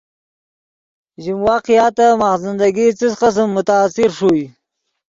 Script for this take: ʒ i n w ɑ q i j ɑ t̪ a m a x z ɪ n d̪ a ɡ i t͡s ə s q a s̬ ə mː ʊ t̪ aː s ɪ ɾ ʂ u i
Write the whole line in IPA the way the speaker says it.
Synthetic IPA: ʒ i m w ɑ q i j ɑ t̪ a m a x z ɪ n d̪ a ɡ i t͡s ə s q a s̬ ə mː ʊ t̪ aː s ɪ ɾ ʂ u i